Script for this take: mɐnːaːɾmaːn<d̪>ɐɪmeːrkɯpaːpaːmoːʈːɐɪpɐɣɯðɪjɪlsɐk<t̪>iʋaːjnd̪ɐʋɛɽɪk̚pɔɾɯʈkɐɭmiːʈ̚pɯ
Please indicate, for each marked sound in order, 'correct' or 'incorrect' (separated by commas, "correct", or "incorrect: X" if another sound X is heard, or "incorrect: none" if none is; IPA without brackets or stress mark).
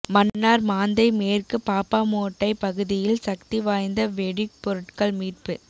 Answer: correct, correct